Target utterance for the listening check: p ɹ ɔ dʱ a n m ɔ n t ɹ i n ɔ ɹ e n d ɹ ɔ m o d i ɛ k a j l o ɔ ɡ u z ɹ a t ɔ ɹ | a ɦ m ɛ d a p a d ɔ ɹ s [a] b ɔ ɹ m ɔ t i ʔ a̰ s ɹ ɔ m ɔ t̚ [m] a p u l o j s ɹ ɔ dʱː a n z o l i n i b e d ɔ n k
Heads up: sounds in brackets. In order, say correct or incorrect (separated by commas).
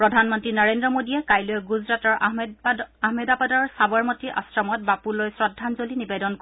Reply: correct, incorrect